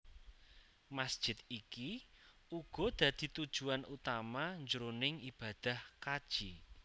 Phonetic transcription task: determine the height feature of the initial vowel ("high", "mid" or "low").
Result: low